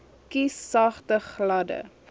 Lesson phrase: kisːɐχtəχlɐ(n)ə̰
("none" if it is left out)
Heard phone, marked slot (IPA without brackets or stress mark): d